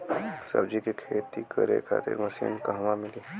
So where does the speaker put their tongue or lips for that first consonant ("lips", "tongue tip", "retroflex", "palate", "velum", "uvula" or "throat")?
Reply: tongue tip